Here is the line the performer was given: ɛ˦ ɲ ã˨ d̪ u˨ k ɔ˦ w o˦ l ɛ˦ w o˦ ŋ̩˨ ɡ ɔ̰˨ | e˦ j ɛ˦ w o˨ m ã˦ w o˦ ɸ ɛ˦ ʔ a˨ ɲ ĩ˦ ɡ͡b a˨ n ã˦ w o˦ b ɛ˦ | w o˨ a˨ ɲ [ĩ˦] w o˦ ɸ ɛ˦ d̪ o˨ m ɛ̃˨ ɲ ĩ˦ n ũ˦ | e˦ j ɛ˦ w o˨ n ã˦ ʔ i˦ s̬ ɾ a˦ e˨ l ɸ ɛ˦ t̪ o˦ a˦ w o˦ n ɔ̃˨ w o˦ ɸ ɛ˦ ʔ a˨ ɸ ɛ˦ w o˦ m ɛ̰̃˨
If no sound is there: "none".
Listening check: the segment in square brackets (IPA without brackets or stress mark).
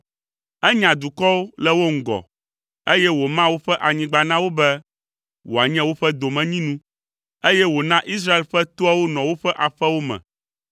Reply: ɛ̃˦